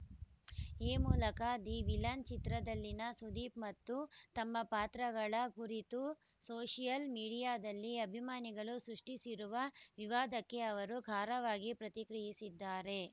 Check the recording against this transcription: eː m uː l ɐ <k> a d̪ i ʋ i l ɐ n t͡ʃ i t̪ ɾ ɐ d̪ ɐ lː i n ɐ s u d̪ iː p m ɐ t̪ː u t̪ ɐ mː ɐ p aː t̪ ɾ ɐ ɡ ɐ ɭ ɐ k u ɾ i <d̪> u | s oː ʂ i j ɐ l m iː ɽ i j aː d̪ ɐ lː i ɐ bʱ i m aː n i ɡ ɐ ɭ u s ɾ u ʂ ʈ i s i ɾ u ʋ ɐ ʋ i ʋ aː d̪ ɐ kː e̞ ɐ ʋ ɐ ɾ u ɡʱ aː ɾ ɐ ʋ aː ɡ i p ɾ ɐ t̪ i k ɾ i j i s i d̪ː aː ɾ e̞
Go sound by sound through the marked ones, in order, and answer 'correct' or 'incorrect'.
correct, incorrect: t̪

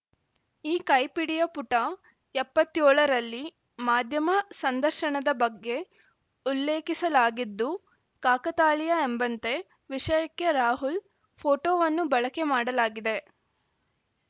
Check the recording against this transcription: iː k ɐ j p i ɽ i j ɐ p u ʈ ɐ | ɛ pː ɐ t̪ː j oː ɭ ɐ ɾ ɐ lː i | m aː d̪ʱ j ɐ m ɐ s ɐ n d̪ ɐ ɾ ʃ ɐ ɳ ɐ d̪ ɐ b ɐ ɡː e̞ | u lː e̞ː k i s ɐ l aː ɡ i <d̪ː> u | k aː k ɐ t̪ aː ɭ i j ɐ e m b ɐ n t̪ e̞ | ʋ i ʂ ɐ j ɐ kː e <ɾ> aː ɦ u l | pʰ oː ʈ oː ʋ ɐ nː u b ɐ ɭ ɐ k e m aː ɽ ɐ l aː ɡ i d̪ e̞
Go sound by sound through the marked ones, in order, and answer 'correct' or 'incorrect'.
correct, correct

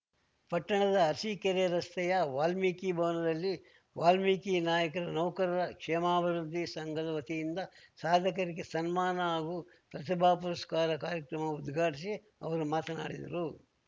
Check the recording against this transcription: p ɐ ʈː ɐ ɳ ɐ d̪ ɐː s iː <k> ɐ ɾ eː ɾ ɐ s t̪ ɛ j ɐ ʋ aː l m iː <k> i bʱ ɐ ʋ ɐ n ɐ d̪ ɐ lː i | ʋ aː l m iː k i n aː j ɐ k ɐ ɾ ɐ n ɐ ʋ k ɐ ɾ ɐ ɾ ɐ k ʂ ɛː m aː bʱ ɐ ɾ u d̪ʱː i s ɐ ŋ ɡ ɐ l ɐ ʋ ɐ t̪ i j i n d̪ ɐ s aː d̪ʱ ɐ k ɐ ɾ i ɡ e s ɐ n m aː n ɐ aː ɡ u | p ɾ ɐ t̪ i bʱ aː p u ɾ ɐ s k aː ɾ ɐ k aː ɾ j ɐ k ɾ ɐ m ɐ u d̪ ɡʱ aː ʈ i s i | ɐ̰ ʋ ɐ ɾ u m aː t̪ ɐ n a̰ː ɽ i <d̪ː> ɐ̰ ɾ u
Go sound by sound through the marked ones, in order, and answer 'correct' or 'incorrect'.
correct, correct, incorrect: d̪

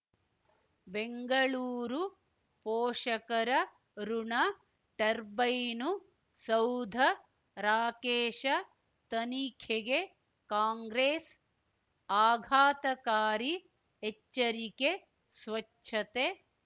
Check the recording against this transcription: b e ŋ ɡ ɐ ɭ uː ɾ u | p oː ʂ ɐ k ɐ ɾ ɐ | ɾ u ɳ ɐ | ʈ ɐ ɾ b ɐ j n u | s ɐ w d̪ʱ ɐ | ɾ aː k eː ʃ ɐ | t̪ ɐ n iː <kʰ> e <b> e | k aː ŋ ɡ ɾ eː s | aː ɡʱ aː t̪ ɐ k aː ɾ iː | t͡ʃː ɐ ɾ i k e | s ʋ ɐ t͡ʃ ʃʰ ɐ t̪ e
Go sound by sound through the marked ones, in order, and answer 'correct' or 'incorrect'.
correct, incorrect: ɡ

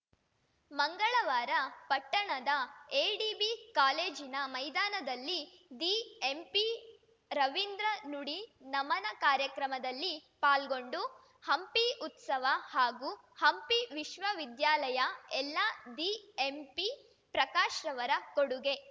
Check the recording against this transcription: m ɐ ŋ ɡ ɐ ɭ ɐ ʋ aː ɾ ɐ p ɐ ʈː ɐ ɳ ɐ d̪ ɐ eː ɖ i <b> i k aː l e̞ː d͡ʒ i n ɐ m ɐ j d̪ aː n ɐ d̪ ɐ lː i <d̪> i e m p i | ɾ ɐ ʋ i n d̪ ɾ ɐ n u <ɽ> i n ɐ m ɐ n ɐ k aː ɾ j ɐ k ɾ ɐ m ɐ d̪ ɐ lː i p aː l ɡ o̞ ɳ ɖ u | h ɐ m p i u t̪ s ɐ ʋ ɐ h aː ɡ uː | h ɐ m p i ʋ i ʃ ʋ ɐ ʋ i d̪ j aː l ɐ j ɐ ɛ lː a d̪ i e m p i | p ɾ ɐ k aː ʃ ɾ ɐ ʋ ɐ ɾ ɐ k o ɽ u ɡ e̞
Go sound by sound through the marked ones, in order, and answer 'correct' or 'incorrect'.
correct, correct, correct

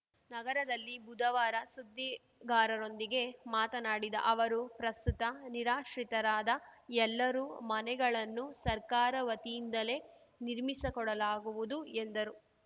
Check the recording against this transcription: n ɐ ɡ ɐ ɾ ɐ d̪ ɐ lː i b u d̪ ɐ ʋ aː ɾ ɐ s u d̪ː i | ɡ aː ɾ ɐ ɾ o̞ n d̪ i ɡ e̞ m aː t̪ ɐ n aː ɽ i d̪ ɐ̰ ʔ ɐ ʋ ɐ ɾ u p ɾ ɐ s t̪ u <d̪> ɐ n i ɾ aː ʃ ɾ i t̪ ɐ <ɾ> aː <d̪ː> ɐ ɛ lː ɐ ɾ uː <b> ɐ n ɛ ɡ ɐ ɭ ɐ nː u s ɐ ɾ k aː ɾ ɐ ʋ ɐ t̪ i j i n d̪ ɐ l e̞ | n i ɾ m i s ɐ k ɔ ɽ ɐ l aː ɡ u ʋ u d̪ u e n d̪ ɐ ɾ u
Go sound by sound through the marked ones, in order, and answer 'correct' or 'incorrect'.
incorrect: t̪, correct, incorrect: d̪, incorrect: m

